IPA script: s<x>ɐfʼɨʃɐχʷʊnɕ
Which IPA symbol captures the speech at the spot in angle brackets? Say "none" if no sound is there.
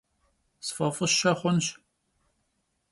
f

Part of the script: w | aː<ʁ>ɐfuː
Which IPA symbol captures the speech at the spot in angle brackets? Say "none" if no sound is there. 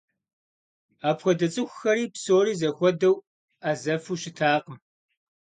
z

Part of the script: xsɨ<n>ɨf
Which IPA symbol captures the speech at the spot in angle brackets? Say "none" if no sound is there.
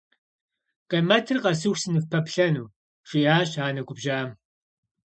n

